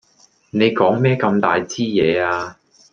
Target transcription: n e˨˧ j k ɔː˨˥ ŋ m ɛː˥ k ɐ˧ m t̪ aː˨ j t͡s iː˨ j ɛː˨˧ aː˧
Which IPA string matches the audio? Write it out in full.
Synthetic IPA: n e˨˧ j k ɔː˨˥ ŋ m ɛː˥ k ɐ˧ m t̪ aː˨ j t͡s iː˥ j ɛː˨˧ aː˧